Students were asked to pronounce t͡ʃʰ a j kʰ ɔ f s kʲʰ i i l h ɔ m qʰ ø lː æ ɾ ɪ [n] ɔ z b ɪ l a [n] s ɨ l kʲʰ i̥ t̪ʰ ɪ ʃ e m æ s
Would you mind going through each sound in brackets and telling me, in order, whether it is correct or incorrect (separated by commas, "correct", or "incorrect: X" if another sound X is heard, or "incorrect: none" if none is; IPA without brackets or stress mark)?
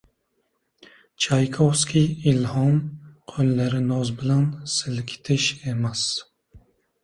correct, correct